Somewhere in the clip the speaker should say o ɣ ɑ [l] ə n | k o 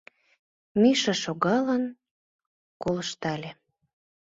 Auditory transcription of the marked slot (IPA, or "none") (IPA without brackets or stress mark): l